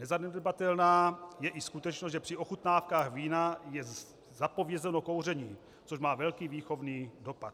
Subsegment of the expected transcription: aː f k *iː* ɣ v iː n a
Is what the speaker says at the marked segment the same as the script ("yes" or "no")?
no